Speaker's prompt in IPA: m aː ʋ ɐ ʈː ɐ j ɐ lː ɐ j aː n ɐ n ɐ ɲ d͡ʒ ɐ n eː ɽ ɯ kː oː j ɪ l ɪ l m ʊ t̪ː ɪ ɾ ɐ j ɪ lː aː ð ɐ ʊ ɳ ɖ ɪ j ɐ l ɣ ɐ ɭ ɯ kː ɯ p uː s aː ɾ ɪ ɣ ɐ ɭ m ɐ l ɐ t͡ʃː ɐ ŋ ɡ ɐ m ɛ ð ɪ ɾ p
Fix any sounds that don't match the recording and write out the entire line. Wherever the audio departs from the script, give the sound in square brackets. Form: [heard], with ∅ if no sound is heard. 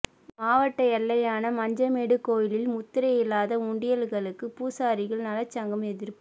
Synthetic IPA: m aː ʋ ɐ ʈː ɐ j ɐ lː ɐ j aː n ɐ [m] ɐ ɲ d͡ʒ ɐ [m] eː ɽ ɯ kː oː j ɪ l ɪ l m ʊ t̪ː ɪ ɾ ɐ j ɪ lː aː ð ɐ ʊ ɳ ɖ ɪ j ɐ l ɣ ɐ ɭ ɯ kː ɯ p uː s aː ɾ ɪ ɣ ɐ ɭ [n] ɐ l ɐ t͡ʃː ɐ ŋ ɡ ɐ m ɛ ð ɪ ɾ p